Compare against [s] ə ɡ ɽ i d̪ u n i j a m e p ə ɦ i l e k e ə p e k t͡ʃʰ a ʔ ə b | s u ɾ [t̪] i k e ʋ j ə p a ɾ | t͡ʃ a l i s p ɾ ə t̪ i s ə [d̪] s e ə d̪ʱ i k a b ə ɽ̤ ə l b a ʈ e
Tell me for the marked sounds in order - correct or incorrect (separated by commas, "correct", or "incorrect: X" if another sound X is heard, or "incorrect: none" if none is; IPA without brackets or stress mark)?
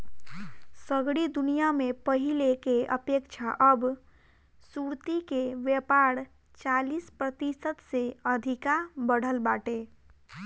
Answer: correct, correct, incorrect: t̪